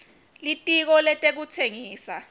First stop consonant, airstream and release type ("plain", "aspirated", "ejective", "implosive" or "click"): ejective